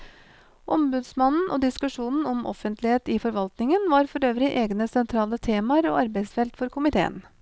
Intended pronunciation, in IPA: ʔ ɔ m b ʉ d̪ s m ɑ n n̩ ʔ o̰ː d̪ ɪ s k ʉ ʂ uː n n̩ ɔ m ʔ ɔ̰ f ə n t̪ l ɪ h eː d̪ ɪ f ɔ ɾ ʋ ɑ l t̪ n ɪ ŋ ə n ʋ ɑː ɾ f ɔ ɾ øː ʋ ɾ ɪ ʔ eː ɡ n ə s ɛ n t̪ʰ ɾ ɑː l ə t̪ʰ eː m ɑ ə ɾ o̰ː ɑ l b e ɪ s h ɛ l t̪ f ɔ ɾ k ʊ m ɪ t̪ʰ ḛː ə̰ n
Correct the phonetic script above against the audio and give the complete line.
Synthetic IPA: ʔ ɔ m b ʉ d̪ s m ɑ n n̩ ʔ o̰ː d̪ ɪ s k ʉ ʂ uː n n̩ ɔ m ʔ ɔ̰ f ə n t̪ l ɪ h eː t̪ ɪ f ɔ ɾ ʋ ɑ l t̪ n ɪ ŋ ə n ʋ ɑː ɾ f ɔ ɾ øː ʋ ɾ ɪ ʔ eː ɡ n ə s ɛ n t̪ʰ ɾ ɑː l ə t̪ʰ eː m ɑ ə ɾ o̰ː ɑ ɾ b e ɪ s f ɛ l t̪ f ɔ ɾ k ʊ m ɪ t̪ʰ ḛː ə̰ n